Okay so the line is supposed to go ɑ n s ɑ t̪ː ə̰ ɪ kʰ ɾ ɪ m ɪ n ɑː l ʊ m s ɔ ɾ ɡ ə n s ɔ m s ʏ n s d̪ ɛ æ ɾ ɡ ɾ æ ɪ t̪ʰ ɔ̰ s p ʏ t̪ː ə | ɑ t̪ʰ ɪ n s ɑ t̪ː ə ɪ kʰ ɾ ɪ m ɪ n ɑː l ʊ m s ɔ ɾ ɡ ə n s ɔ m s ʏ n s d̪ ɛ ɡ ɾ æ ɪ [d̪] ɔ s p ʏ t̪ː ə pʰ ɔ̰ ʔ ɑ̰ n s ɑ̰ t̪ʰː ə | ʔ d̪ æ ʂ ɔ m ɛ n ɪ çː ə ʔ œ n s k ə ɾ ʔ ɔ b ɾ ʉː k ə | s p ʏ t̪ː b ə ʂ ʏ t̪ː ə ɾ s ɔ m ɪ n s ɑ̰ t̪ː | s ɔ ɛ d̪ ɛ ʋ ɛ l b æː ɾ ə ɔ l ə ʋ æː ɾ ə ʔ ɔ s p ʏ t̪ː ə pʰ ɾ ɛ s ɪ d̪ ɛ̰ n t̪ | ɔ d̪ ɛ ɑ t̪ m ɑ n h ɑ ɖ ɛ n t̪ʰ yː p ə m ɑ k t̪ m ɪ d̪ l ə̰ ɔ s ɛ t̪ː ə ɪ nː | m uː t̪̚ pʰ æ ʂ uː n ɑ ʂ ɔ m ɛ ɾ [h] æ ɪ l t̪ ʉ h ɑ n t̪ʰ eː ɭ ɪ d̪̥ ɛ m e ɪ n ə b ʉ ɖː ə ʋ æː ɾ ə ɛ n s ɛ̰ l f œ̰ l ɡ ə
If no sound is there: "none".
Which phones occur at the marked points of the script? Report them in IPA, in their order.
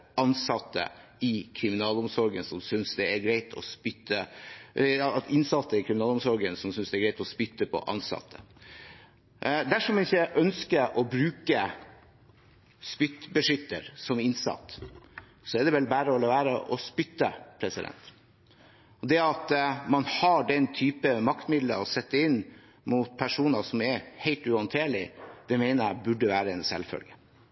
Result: t̪, h

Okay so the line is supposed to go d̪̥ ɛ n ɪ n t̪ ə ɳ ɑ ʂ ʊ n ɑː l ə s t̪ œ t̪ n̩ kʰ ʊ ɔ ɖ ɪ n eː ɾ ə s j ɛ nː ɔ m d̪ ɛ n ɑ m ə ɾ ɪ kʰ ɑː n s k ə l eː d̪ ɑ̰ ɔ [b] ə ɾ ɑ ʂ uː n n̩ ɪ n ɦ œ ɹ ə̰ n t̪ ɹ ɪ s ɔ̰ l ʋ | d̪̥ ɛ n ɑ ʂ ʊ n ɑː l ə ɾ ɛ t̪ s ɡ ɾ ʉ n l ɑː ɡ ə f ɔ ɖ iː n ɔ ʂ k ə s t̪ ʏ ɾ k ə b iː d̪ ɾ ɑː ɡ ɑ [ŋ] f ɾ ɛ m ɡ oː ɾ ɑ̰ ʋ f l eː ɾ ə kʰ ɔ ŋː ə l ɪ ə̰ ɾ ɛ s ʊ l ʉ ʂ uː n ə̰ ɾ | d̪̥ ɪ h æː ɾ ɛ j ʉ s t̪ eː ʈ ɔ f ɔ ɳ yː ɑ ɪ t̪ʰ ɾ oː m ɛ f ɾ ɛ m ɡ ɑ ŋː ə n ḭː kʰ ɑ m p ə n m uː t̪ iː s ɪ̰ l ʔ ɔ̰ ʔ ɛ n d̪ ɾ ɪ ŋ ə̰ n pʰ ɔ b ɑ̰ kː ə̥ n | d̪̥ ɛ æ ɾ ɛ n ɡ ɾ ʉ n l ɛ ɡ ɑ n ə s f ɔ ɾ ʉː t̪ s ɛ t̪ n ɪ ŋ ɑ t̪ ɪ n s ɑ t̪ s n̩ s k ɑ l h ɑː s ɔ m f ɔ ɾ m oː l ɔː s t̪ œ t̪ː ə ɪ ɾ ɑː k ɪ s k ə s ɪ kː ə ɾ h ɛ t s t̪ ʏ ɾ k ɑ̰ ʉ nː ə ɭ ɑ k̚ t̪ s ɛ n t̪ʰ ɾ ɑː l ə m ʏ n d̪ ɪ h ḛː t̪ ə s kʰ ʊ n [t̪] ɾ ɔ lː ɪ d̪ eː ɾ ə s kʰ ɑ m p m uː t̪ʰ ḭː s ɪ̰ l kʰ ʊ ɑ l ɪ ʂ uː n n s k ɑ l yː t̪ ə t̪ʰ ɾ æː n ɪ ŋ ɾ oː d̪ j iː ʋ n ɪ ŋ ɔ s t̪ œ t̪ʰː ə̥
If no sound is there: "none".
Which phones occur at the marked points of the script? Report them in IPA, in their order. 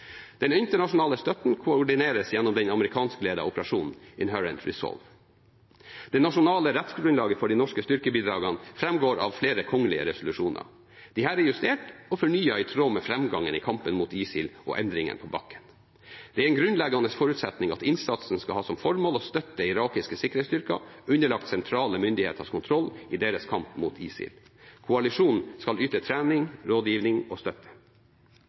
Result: p, n, t̪ʰ

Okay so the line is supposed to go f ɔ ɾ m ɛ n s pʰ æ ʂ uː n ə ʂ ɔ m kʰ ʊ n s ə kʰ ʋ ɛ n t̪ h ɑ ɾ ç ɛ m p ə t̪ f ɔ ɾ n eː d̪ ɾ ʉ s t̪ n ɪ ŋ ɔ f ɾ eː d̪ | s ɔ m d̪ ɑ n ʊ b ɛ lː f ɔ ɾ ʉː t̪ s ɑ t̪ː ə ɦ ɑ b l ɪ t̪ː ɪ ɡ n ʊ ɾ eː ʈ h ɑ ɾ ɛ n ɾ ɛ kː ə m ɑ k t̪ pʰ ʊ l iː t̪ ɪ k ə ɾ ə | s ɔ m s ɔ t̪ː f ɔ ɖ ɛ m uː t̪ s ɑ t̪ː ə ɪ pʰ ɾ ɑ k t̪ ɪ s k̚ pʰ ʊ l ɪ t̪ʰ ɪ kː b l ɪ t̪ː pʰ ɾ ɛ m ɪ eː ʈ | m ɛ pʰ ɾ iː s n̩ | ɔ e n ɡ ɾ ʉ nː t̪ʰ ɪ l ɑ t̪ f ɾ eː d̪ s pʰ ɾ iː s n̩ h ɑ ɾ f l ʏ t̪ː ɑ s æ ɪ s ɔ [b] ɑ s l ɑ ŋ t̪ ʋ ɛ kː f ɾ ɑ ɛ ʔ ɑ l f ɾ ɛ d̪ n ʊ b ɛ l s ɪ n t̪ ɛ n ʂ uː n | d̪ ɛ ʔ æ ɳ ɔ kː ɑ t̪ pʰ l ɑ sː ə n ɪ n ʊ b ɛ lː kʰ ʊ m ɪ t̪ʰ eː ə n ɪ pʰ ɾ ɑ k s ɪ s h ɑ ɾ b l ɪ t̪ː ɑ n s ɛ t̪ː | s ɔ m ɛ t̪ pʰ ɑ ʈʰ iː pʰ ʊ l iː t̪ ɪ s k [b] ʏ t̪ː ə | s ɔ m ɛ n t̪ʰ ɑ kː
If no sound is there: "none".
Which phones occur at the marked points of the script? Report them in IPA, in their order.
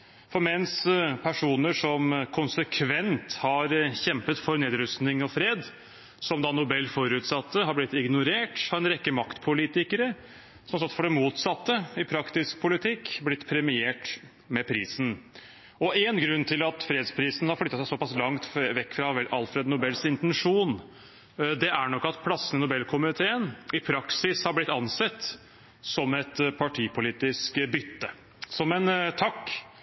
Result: p, b

